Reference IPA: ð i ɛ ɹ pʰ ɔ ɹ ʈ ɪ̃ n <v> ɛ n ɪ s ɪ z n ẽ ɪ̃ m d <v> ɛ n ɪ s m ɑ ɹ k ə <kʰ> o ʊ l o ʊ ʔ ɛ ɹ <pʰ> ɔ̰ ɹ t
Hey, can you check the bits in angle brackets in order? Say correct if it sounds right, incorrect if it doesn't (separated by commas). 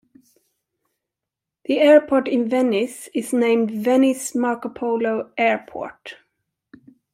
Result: correct, correct, incorrect, correct